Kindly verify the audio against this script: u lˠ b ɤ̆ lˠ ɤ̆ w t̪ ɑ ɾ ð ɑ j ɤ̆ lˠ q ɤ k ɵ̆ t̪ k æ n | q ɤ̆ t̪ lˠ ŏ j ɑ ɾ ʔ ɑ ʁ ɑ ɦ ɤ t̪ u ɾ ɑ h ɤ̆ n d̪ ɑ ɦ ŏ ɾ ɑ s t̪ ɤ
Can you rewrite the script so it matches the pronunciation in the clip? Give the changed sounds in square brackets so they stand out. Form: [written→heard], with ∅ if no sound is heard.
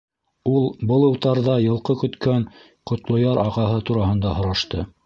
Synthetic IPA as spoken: u lˠ b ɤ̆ lˠ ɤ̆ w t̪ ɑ ɾ ð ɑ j ɤ̆ lˠ q ɤ k ɵ̆ t̪ k æ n | q [ɤ̆→ŏ] t̪ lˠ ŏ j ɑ ɾ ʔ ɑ ʁ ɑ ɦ ɤ t̪ u ɾ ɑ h ɤ̆ n d̪ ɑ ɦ ŏ ɾ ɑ [s→ʃ] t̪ ɤ